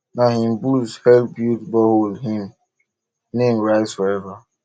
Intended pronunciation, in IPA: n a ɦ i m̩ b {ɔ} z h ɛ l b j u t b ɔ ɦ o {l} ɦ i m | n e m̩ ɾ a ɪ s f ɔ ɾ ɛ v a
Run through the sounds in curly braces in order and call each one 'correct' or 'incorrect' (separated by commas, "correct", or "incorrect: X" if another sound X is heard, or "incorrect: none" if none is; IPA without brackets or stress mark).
incorrect: u, correct